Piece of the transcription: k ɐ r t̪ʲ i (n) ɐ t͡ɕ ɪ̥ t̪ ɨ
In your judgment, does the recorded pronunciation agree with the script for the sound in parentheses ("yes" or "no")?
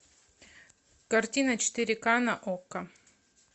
yes